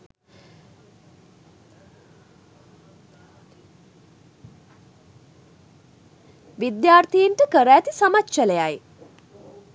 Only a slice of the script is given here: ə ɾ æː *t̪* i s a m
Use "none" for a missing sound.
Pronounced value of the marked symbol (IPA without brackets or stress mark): t̪